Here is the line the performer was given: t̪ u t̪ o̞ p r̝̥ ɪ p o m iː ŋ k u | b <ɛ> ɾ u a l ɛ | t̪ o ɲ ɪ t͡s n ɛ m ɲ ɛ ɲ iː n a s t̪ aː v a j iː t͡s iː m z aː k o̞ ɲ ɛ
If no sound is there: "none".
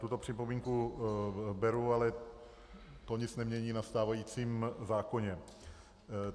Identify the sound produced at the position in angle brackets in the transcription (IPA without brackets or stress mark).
ɛ